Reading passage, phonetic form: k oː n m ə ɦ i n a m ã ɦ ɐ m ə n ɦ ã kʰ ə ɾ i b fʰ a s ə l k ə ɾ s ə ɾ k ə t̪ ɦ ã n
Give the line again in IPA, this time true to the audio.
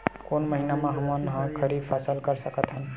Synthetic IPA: k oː n m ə ɦ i n a m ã ɦ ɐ m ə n ɦ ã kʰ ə ɾ i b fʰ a s ə l k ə ɾ s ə k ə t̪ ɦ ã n

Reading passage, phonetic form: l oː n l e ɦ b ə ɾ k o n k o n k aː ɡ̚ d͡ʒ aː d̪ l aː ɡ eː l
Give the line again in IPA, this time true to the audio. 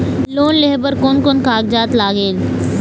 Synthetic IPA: l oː n l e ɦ b ə ɾ k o n k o n k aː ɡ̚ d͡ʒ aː t̪ l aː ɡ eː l

